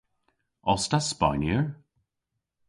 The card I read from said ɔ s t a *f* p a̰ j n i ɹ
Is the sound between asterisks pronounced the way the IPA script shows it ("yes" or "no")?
no